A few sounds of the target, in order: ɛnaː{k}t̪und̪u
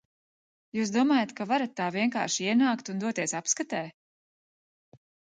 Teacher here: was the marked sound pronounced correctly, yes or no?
yes